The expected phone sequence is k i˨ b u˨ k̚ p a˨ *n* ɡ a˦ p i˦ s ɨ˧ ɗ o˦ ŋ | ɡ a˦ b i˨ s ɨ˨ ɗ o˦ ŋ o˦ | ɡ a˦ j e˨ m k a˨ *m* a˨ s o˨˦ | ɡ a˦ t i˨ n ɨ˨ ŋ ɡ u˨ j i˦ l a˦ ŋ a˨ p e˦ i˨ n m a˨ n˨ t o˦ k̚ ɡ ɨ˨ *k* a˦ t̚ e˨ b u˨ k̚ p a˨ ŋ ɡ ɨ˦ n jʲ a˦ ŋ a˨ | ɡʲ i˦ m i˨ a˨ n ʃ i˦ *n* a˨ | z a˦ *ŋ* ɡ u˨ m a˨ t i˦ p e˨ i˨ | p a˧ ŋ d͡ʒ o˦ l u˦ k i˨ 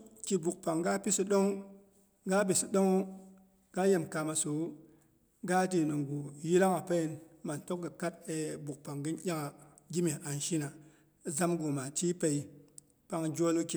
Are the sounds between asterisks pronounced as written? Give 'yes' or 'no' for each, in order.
no, yes, yes, yes, no

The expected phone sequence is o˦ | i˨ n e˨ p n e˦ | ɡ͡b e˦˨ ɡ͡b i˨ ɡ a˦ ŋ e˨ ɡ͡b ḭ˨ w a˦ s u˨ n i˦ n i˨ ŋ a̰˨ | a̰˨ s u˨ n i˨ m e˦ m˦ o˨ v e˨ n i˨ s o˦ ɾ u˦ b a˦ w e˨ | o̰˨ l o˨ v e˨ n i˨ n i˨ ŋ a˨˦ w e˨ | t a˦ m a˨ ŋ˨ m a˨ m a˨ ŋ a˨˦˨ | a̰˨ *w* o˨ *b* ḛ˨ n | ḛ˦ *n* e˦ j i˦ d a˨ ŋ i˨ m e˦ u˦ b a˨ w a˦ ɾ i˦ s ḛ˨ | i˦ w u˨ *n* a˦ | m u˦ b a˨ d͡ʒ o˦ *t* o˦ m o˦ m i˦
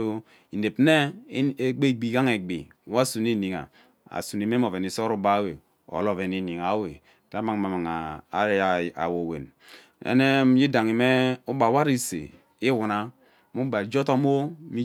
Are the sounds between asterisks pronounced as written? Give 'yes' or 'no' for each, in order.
yes, no, yes, yes, yes

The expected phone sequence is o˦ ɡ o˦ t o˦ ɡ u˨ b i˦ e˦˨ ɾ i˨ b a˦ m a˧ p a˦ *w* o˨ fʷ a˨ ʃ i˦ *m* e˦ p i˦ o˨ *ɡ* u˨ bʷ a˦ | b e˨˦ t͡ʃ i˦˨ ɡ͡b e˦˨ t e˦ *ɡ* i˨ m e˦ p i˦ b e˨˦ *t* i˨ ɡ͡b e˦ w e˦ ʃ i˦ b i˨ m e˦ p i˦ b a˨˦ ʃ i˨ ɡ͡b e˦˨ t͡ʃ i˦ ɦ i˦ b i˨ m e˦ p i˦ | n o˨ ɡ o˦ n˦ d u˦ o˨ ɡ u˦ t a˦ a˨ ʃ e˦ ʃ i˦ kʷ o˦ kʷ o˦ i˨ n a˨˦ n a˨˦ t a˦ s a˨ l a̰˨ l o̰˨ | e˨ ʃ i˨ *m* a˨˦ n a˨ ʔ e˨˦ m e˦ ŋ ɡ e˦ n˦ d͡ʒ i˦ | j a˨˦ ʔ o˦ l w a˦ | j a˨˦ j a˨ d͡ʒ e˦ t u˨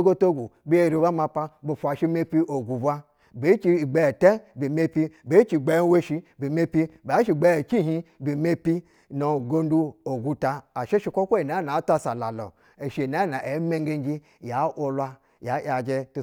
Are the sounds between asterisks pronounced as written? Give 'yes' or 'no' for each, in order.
no, yes, yes, no, no, no

